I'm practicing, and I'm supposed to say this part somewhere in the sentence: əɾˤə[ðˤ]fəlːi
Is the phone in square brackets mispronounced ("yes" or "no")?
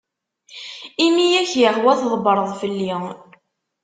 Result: no